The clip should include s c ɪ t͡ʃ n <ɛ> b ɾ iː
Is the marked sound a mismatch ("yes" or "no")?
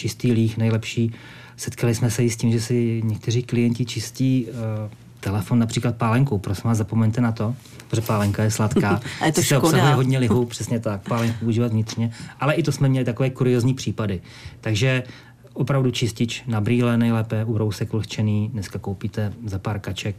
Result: yes